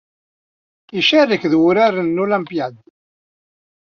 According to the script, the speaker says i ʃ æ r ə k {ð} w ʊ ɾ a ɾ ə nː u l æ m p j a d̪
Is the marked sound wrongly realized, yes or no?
no